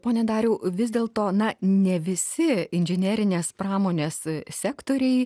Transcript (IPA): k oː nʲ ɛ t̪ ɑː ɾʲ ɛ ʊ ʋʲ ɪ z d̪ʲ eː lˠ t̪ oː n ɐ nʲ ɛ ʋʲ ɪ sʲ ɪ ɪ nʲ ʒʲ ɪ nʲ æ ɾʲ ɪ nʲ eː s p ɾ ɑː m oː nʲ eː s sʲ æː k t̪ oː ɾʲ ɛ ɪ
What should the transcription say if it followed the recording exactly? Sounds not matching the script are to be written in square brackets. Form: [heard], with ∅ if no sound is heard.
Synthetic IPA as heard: [p] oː nʲ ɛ [d̪] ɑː ɾʲ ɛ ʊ ʋʲ ɪ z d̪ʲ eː lˠ t̪ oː n ɐ nʲ ɛ ʋʲ ɪ sʲ ɪ ɪ nʲ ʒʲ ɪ nʲ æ ɾʲ ɪ nʲ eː s p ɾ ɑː m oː nʲ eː s sʲ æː k t̪ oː ɾʲ ɛ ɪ